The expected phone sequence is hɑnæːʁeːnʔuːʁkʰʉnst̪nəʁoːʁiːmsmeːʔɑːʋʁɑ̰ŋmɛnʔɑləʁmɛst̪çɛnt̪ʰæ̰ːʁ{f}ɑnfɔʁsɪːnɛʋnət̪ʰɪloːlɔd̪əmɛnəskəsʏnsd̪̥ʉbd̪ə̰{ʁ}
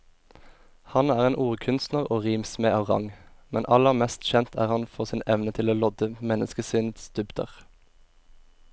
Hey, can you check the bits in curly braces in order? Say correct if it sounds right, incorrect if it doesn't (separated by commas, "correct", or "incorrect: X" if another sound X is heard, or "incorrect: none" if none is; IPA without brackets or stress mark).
incorrect: h, correct